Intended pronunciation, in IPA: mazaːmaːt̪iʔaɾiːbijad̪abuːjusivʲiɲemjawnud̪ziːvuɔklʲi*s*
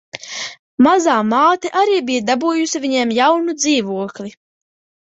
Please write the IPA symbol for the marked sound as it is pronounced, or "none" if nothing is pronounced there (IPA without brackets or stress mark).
none